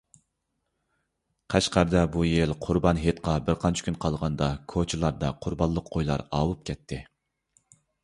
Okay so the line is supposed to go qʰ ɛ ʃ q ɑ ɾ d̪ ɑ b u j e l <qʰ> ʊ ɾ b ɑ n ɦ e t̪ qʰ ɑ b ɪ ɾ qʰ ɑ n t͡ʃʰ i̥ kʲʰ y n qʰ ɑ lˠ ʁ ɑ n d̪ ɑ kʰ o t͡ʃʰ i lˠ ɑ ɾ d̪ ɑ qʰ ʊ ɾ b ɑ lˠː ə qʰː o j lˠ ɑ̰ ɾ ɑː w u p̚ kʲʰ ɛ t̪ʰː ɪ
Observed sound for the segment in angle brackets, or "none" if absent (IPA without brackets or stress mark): qʰ